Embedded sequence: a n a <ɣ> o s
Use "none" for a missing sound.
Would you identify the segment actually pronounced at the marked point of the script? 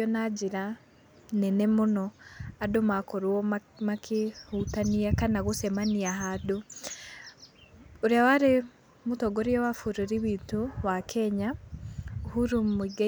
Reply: ɣ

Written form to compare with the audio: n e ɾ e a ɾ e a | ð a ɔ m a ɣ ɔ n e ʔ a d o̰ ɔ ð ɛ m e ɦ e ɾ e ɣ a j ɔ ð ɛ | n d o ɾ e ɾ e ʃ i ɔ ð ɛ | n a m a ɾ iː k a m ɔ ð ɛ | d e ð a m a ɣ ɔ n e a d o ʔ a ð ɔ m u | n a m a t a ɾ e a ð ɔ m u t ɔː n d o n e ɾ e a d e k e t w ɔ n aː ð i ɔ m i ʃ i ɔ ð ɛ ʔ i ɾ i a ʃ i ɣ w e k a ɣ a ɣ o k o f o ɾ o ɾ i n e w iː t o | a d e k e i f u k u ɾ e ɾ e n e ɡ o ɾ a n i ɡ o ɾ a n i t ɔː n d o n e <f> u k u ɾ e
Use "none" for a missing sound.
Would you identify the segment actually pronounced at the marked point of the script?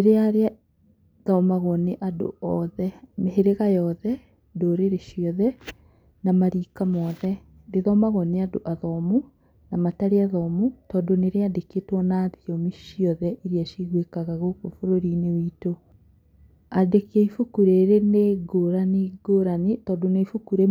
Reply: f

